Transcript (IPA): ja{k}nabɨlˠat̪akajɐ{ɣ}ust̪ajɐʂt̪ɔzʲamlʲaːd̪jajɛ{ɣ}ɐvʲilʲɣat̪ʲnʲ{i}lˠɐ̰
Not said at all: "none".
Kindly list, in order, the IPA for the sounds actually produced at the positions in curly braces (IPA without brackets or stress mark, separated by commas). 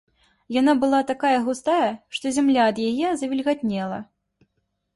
none, ɣ, z, ɛ